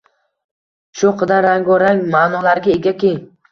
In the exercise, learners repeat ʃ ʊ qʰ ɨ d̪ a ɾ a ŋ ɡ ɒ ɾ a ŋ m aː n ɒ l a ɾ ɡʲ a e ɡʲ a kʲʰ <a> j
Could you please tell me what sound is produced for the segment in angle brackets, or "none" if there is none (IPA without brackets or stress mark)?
e